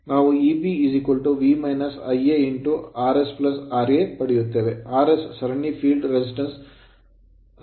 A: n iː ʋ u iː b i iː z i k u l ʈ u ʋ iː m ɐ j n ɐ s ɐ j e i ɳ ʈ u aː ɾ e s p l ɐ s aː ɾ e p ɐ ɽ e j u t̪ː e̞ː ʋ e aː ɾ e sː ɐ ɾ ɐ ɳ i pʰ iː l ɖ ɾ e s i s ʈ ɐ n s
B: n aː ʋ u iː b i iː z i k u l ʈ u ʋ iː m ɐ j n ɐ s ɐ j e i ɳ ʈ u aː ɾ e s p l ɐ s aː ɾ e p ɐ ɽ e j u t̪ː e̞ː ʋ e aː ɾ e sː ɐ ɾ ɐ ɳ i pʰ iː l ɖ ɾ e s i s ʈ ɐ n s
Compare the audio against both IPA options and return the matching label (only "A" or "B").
B